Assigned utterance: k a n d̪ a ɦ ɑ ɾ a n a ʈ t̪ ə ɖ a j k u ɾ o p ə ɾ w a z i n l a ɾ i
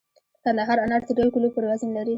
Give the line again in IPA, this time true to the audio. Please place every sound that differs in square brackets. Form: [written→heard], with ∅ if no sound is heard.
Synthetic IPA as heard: k a n d̪ a ɦ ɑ ɾ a n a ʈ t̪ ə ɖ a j k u [ɾ→l] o p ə ɾ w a z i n l a ɾ i